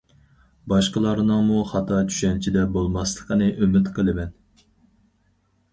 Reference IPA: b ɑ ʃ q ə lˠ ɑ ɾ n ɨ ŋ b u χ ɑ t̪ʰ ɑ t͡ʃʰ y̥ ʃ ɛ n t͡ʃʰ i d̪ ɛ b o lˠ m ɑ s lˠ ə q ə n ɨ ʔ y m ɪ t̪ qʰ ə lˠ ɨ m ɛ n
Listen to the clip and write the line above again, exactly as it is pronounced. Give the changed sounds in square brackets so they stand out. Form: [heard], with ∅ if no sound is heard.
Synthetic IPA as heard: b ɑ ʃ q ə lˠ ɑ ɾ n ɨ ŋ [m] u χ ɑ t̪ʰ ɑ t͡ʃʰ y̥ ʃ ɛ n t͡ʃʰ i d̪ ɛ b o lˠ m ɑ s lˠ ə q ə n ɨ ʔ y m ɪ t̪ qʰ ə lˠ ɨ m ɛ n